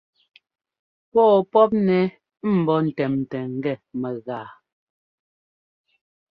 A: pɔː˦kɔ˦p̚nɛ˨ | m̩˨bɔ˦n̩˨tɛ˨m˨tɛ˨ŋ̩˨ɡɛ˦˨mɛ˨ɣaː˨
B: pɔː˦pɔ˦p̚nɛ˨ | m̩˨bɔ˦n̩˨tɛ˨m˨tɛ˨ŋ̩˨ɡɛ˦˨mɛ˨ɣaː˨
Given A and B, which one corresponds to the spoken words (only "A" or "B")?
B